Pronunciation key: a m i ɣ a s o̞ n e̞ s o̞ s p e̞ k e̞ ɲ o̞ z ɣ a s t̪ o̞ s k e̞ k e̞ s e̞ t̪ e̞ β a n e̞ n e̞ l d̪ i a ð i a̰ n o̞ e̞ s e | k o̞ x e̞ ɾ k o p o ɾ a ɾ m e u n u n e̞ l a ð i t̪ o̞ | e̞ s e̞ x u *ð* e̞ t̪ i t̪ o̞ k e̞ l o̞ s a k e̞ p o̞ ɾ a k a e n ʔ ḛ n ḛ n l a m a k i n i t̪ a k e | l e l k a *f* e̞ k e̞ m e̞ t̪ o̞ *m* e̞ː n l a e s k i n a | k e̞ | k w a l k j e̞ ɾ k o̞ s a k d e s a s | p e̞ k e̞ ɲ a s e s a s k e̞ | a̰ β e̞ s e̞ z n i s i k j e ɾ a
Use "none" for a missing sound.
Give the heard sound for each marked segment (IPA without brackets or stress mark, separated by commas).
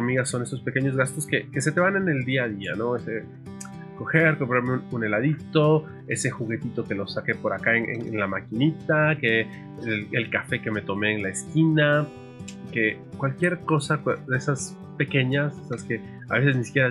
ɣ, f, m